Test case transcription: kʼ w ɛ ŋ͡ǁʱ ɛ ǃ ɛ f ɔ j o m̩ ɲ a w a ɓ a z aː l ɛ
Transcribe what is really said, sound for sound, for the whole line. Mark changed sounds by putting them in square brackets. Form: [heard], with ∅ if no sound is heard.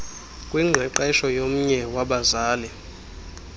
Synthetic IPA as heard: kʼ w [i] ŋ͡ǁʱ ɛ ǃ ɛ [ʃ] ɔ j o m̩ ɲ [ɛ] w a ɓ a z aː l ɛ